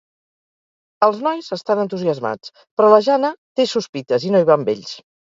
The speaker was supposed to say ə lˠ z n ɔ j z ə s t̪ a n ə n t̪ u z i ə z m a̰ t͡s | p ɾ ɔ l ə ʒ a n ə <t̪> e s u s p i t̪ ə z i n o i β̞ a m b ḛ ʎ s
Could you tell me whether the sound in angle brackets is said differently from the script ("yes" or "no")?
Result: no